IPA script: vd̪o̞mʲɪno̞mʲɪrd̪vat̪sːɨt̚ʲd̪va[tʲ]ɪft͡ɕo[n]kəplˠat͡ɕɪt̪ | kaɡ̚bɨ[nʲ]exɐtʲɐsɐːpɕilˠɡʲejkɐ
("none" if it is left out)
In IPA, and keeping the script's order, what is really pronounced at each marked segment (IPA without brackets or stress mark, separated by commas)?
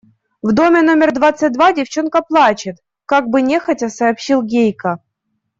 dʲ, n, nʲ